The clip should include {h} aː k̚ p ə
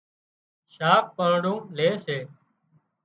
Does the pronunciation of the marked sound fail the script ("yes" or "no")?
yes